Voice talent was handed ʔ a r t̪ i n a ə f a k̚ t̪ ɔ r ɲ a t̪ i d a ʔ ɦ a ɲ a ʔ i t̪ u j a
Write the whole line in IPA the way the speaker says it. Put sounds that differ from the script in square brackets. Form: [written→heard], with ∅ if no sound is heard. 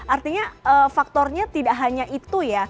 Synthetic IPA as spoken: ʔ a r t̪ i [n→ɲ] a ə f a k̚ t̪ ɔ r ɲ a t̪ i d a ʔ ɦ a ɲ a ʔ i t̪ u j a